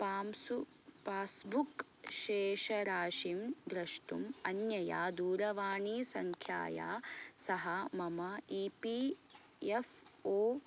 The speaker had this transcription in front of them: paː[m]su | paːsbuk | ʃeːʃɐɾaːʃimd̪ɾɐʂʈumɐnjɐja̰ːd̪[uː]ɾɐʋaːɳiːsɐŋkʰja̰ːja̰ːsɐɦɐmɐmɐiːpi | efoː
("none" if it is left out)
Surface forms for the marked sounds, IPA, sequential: m, uː

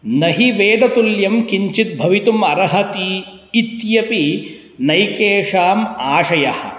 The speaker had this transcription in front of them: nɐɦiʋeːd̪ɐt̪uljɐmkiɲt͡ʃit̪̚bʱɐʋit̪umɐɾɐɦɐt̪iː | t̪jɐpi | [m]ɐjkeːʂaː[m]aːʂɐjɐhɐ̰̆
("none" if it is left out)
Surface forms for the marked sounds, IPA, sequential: n, m

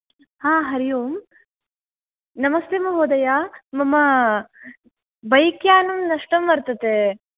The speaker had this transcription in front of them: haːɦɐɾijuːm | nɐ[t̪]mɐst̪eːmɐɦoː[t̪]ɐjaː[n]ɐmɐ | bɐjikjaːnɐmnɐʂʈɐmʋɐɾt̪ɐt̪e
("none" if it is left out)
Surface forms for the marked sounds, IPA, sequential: none, d̪, m

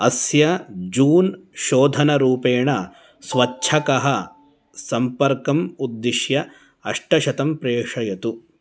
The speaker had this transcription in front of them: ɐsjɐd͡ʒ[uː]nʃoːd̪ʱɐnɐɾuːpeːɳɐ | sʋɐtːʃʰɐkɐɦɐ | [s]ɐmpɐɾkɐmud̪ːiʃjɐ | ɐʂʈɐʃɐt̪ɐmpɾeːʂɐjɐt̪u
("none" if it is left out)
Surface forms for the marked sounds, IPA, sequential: uː, s

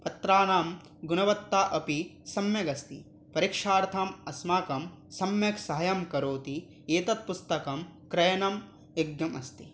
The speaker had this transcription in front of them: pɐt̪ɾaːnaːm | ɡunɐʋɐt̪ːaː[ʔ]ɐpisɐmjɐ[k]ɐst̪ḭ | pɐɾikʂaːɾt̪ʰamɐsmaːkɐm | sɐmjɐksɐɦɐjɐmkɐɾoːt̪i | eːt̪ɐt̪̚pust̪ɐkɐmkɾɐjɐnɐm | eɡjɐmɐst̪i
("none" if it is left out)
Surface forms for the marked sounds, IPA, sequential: ʔ, ɡ

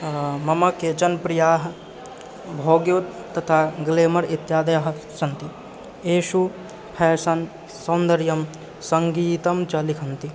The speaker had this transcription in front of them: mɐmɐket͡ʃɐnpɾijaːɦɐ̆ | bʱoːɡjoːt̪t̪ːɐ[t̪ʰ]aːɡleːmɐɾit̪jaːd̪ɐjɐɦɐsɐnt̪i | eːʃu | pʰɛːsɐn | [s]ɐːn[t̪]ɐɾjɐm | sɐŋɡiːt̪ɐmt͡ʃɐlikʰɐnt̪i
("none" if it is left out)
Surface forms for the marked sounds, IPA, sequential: t̪ʰ, s, d̪

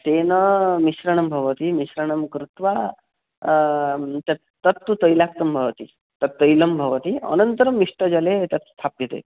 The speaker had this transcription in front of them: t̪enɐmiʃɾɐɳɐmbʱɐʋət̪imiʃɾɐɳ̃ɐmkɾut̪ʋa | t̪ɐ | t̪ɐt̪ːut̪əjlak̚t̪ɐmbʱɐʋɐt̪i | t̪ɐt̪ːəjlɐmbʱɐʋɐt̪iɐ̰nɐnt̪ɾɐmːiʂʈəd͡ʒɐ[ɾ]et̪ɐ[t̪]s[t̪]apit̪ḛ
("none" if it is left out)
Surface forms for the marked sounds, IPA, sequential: l, t̪, t̪ʰ

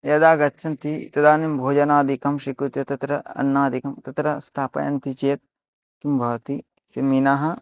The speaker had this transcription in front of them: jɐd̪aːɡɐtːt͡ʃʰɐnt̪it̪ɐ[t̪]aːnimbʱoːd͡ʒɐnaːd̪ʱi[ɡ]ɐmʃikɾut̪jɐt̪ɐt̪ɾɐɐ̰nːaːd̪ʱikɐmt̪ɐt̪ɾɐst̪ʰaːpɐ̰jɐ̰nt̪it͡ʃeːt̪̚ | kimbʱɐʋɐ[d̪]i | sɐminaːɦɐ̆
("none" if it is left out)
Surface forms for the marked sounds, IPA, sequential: d̪, k, t̪

